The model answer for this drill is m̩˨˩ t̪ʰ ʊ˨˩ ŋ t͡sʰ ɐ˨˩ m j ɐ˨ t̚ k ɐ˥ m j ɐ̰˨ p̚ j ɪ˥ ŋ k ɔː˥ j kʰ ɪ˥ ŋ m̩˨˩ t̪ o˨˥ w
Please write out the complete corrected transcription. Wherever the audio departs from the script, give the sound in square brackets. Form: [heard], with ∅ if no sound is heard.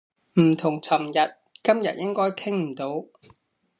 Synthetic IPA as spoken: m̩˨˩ t̪ʰ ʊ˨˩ ŋ t͡sʰ ɐ˨˩ m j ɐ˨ t̚ k ɐ˥ m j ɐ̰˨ [t̚] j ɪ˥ ŋ k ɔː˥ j kʰ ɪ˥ ŋ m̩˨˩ t̪ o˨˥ w